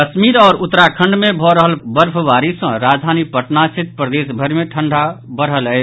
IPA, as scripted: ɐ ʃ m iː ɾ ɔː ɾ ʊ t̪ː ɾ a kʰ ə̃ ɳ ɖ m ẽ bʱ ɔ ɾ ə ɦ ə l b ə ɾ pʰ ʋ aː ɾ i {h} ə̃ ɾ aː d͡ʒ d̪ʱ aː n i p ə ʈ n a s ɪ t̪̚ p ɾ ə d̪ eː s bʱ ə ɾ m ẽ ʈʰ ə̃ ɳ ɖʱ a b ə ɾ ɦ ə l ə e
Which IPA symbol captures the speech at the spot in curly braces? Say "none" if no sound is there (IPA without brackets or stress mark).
s